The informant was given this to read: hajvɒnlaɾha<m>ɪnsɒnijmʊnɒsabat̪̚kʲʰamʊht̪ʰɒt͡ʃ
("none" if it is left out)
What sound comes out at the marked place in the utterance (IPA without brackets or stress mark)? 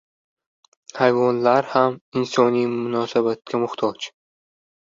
m